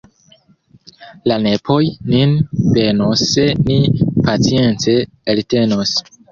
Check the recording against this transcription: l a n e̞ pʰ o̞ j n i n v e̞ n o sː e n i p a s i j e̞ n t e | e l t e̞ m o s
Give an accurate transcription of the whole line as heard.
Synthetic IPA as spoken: l a n e̞ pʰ o̞ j n i n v e̞ n o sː e n i p a t͡s i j e̞ n t͡s e | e l t e̞ n o s